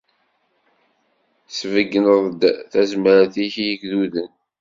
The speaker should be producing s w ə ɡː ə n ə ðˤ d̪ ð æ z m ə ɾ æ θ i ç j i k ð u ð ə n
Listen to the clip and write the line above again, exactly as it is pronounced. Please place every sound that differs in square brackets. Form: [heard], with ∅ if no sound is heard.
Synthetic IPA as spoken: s [v] ə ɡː ə n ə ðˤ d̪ [θ] æ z m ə ɾ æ θ i ç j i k ð u ð ə n